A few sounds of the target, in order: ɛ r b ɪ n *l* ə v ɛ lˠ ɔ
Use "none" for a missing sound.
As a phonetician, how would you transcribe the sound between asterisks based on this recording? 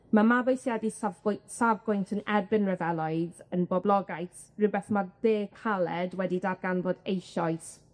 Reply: r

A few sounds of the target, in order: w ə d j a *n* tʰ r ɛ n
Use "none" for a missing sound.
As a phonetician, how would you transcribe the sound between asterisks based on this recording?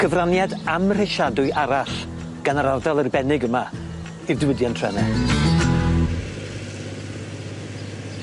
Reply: n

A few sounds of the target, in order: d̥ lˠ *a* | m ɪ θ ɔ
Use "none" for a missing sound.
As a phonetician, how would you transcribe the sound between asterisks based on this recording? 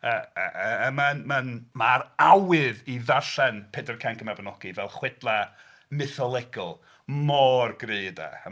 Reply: a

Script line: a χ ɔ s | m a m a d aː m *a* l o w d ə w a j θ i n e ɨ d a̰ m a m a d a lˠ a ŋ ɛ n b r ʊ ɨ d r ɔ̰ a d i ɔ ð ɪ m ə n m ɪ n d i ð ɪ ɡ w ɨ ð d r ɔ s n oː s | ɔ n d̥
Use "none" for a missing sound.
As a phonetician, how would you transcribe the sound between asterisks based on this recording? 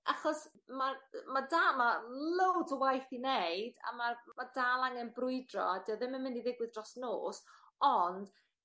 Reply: a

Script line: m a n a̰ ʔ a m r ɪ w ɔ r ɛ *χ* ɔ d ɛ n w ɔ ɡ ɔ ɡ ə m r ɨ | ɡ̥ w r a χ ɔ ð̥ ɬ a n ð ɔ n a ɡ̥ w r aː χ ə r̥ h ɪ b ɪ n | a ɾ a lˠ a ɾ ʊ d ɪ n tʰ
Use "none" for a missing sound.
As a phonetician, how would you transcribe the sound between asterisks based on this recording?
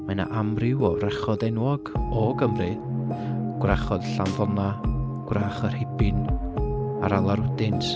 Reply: χ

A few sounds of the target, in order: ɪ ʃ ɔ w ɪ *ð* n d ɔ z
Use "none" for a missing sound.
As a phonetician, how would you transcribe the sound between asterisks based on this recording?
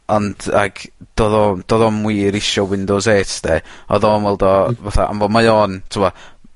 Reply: none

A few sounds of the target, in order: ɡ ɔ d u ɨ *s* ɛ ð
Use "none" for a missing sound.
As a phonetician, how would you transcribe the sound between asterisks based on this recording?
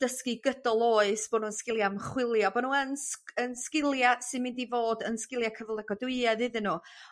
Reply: none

